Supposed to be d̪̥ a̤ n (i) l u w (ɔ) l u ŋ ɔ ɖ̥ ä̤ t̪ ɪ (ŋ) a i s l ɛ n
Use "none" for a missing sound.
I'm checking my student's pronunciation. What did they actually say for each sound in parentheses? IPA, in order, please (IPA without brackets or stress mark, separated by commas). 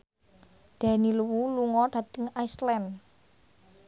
i, u, ŋ